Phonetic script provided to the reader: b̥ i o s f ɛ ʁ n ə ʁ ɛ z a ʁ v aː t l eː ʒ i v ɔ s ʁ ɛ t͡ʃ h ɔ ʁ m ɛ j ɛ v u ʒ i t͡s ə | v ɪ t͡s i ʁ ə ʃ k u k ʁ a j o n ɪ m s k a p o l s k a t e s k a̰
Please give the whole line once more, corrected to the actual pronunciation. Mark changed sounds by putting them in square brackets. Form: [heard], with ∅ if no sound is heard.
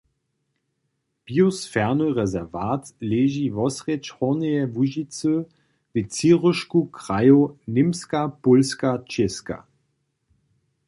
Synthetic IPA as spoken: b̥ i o s f ɛ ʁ n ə ʁ ɛ z [ɛ] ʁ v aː t l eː ʒ i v ɔ s ʁ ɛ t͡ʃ h ɔ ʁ [n] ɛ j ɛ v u ʒ i t͡s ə | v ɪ t͡s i ʁ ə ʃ k u k ʁ a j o n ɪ m s k a p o l s k a [t͡ʃ] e s k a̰